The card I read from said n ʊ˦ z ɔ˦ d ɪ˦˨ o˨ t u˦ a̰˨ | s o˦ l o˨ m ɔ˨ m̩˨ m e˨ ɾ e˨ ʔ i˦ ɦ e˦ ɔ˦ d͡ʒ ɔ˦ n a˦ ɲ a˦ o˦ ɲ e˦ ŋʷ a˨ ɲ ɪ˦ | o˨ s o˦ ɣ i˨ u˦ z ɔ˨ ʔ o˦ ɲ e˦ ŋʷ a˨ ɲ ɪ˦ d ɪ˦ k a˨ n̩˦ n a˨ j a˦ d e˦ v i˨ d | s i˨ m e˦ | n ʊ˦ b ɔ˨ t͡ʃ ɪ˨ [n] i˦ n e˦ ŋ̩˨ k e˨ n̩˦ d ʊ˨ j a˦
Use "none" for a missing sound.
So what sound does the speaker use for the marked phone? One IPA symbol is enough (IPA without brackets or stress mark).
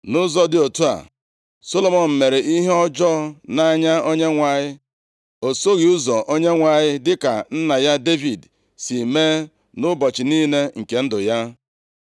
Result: n